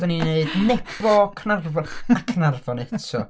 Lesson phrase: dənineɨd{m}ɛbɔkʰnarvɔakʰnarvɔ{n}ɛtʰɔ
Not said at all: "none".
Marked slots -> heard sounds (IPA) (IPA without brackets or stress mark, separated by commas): n, n